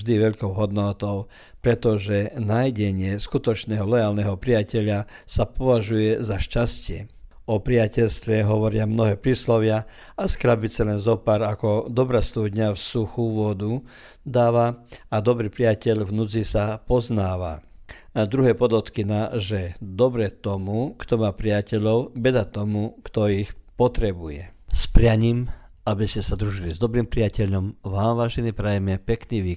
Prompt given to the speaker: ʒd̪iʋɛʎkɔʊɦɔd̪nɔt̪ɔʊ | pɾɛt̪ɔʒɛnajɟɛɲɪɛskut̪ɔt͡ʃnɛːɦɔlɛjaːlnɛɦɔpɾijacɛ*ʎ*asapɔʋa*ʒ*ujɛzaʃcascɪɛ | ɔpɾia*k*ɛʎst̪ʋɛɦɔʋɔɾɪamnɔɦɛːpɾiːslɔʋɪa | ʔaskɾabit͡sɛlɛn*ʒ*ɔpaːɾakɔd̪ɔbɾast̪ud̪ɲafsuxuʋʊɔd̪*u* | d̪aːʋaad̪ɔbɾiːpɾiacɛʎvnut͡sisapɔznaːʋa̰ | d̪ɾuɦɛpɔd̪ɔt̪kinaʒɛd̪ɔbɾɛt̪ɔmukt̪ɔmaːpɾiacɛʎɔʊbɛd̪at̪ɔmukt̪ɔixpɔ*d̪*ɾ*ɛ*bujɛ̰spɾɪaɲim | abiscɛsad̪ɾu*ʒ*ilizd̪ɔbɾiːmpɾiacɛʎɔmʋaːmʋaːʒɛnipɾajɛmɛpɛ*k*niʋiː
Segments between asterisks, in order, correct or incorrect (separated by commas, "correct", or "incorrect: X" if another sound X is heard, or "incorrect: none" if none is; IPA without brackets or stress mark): correct, correct, incorrect: c, incorrect: z, correct, incorrect: t̪, correct, correct, correct